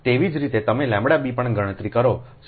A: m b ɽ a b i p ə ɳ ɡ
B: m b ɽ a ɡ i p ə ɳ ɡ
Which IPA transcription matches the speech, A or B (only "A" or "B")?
A